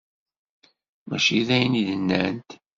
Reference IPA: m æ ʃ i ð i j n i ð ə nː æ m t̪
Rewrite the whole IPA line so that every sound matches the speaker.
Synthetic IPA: m æ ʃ i ð æ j n i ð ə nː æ n t̪